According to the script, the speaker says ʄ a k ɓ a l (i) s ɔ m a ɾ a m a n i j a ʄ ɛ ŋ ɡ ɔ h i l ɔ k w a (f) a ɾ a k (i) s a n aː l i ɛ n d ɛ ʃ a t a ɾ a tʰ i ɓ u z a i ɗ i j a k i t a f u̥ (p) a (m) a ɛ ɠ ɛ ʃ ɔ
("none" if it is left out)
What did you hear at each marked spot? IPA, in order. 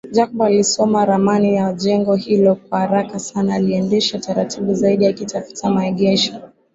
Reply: i, h, a, t, m

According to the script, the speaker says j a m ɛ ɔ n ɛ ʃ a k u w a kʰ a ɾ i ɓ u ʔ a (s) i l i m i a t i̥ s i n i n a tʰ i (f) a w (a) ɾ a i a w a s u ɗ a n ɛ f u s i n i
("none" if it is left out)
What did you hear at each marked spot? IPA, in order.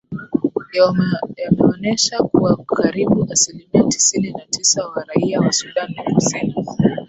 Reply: s, s, a

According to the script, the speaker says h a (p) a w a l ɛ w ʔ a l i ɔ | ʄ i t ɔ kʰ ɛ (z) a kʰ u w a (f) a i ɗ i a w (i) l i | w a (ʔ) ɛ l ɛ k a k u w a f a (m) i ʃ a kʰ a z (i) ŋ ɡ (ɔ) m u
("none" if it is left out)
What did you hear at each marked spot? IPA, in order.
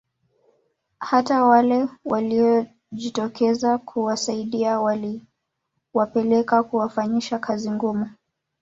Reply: t, z, s, a, p, ɲ, i, u

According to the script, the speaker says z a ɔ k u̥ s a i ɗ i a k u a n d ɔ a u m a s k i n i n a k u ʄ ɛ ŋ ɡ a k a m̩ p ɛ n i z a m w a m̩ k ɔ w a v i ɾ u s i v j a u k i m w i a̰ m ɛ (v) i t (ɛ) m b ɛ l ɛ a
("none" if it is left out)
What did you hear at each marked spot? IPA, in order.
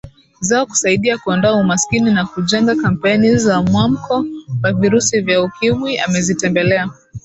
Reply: z, ɛ

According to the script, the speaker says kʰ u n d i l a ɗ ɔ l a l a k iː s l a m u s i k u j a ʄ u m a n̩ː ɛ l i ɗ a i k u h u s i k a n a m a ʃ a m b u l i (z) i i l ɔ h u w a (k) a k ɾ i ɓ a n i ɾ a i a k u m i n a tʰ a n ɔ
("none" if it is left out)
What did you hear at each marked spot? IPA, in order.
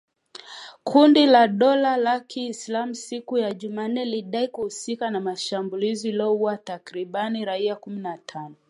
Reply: z, t

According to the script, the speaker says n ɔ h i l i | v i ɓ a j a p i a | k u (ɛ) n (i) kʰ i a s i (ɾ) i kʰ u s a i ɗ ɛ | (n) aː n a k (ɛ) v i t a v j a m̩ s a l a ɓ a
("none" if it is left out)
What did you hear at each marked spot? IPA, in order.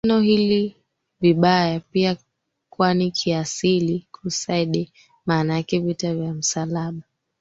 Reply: a, i, l, m, ɛ

